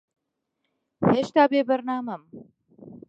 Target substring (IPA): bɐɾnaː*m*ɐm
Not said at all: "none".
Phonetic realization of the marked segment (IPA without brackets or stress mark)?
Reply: m